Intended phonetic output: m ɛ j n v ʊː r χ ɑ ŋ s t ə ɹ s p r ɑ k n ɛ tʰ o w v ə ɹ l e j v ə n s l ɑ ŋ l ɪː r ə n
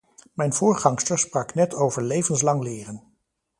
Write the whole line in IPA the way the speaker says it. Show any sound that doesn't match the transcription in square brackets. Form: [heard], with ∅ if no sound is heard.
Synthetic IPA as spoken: m ɛ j n v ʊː [ɹ] χ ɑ ŋ s t ə ɹ s p r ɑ k n ɛ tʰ o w v ə ɹ l e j v ə n s l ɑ ŋ l ɪː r ə n